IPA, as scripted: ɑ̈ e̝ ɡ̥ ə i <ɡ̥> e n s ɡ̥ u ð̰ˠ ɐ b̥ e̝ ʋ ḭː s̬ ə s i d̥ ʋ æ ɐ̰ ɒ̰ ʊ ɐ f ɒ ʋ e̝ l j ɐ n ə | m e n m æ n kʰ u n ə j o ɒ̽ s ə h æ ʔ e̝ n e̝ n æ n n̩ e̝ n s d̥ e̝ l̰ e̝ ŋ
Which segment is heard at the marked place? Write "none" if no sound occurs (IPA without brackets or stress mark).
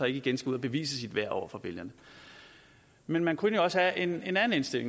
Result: ɡ̥